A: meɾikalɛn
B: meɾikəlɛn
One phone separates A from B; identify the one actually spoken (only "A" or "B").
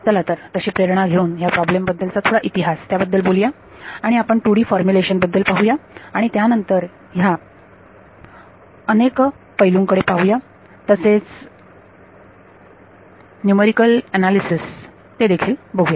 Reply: B